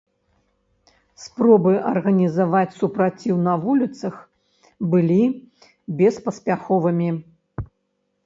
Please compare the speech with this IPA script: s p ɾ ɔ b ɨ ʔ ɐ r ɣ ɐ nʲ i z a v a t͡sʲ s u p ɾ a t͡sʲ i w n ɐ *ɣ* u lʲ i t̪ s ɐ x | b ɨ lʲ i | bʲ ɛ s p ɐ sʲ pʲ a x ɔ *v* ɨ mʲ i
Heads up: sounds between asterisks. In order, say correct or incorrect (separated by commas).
incorrect, correct